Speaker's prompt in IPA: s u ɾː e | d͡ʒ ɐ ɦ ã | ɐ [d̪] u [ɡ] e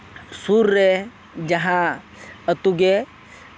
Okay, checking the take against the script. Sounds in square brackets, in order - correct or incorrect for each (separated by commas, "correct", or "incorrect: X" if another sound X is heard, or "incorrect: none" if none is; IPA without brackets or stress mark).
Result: incorrect: t̪, correct